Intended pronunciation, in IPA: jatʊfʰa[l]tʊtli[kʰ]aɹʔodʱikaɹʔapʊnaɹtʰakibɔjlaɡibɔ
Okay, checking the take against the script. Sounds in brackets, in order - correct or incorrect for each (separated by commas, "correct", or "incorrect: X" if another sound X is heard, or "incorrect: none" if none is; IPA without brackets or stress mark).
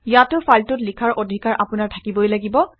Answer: correct, correct